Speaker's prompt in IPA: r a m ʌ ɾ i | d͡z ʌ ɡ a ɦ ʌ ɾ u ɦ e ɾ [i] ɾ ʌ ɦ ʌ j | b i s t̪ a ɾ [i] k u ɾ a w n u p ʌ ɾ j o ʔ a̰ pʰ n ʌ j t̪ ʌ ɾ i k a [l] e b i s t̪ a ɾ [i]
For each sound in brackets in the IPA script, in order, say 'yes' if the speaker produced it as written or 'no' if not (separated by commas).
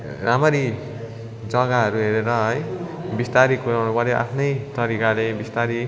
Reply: no, yes, yes, yes